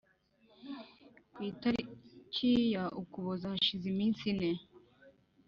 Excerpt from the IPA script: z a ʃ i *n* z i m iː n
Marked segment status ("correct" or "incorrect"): incorrect